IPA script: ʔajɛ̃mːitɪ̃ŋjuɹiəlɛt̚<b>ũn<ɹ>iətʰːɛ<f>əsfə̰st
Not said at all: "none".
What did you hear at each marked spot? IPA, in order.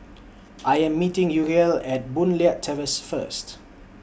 b, l, v

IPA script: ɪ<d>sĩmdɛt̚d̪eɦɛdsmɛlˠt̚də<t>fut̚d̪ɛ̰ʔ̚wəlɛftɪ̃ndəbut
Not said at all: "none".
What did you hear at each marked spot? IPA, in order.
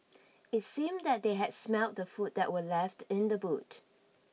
t, none

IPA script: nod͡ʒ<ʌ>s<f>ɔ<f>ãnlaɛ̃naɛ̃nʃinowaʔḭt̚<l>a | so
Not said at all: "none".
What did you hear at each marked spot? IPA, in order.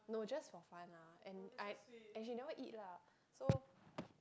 a, f, f, l

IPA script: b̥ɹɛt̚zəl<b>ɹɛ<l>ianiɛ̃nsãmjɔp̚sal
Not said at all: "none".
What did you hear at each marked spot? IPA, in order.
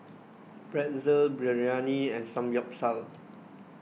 b, ɹ

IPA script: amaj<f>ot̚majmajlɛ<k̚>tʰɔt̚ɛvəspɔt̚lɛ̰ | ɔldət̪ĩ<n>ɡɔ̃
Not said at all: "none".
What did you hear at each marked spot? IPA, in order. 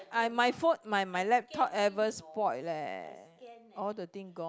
f, p̚, ŋ

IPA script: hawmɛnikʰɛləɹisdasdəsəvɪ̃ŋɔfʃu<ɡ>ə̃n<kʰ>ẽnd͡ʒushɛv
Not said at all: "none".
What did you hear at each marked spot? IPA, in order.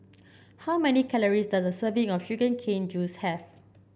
ɡ, kʰ

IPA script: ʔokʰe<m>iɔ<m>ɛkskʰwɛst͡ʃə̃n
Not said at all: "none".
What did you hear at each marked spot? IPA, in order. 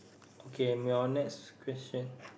m, n

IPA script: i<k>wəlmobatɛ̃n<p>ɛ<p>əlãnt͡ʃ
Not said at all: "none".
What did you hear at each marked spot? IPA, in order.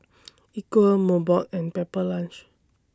k, p, p

